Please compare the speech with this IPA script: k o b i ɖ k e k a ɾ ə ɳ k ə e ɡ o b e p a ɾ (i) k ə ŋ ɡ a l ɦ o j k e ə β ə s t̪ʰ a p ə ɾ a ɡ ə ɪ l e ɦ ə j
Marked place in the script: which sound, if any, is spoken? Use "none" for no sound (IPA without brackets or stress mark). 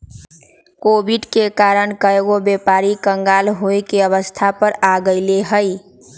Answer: i